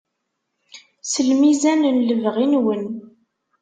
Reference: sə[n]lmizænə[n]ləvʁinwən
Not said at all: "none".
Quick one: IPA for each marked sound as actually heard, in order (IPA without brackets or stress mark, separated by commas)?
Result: none, n